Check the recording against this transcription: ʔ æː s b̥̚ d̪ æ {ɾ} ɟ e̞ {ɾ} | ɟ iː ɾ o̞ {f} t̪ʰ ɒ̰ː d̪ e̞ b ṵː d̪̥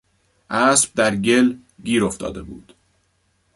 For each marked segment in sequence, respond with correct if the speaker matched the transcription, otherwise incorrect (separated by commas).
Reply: correct, incorrect, correct